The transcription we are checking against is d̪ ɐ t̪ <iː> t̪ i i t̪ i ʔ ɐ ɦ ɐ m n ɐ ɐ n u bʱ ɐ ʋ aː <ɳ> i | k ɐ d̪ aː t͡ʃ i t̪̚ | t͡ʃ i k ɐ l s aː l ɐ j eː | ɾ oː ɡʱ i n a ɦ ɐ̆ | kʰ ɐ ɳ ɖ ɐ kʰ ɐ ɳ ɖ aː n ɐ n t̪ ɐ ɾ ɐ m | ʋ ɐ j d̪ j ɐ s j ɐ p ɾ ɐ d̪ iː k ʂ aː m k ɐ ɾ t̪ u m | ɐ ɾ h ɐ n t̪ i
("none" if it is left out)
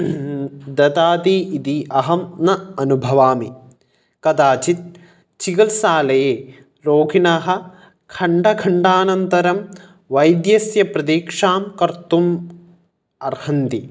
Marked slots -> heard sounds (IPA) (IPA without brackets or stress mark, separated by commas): aː, m